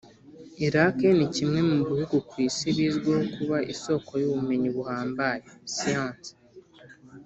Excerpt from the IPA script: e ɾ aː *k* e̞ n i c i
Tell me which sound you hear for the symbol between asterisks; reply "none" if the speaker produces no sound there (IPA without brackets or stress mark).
k